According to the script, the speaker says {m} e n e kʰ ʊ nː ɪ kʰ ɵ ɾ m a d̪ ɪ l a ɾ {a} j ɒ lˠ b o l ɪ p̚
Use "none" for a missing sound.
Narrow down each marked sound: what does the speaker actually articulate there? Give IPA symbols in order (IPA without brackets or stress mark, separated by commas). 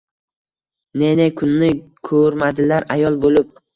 n, a